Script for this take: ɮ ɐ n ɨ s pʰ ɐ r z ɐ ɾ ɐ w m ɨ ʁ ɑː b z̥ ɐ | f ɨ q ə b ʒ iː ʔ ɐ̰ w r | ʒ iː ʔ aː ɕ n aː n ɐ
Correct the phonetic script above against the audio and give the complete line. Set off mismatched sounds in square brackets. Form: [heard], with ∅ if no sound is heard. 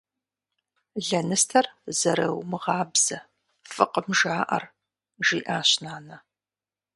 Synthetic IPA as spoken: ɮ ɐ n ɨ s [tʰ] ɐ r z ɐ ɾ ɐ w m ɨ ʁ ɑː b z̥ ɐ | f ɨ q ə [m] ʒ [aː] ʔ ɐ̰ [∅] r | ʒ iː ʔ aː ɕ n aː n ɐ